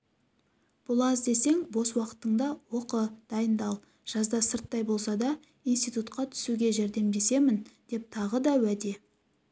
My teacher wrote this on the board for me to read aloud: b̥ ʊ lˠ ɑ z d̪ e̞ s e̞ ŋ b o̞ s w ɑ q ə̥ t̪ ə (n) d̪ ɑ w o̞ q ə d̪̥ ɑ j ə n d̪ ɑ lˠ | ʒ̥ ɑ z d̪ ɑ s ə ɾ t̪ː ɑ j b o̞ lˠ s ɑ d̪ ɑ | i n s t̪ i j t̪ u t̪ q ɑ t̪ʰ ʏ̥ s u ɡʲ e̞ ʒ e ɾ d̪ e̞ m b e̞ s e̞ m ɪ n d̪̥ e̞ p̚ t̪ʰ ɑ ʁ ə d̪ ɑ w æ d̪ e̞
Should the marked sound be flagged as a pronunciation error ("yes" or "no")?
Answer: yes